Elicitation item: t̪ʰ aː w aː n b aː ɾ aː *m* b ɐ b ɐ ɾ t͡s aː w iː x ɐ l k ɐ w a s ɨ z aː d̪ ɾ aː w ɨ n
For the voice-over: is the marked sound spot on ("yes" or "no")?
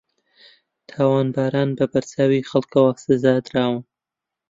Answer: no